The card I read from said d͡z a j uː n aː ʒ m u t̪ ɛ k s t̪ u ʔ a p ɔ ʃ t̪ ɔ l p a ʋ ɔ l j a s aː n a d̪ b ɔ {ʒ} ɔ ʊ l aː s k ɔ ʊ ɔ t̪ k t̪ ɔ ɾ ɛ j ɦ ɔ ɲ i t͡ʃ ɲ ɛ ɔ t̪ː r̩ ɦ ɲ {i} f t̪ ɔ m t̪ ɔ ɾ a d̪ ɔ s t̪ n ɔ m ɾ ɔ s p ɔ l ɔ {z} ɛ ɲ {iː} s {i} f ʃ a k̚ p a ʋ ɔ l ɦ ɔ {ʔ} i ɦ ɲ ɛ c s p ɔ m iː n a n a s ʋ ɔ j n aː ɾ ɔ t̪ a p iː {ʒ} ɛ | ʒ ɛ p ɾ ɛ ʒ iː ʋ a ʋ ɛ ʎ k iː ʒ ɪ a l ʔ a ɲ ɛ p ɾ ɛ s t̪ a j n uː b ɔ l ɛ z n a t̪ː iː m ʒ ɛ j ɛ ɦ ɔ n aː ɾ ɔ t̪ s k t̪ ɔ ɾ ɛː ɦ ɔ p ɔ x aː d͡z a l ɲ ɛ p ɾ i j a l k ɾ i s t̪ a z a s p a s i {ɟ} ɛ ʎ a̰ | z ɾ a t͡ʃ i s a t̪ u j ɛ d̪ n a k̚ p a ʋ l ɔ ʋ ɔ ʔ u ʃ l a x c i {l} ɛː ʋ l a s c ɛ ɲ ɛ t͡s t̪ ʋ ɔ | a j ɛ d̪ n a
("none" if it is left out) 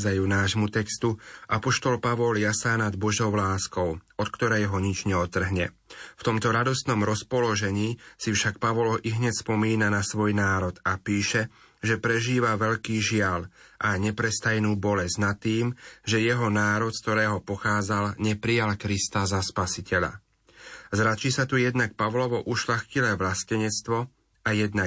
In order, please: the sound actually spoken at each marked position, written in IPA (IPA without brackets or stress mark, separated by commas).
ʒ, ɛ, ʒ, iː, i, ʔ, ʃ, c, l